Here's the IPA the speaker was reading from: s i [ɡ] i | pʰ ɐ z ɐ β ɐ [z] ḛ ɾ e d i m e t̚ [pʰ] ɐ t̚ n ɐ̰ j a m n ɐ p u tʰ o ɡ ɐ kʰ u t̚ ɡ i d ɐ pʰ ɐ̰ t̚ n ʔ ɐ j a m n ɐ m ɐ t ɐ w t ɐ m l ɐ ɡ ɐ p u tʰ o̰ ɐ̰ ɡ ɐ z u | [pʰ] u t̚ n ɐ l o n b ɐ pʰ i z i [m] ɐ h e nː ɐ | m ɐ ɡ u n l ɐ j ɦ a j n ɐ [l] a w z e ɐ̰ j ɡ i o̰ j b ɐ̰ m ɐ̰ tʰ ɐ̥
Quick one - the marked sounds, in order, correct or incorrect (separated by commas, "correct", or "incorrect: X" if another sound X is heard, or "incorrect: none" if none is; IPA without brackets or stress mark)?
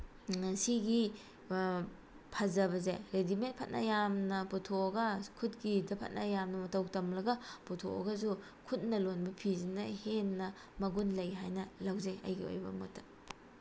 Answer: correct, correct, correct, incorrect: kʰ, incorrect: n, correct